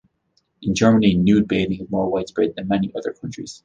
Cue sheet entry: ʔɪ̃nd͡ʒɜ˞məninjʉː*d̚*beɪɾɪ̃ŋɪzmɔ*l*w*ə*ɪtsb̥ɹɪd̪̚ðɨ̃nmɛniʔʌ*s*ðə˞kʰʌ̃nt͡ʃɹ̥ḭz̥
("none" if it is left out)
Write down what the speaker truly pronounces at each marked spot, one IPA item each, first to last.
d̚, ɹ, a, none

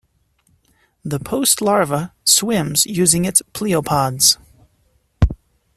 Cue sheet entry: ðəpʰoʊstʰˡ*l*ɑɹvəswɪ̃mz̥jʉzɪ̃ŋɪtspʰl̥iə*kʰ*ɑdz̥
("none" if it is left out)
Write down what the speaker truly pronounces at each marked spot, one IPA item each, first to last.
l, pʰ

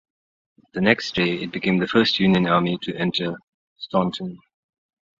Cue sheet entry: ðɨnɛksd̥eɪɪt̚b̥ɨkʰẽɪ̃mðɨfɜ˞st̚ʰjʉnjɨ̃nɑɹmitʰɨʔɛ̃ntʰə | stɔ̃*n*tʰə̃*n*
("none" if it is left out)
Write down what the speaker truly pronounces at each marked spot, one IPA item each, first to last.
n, n

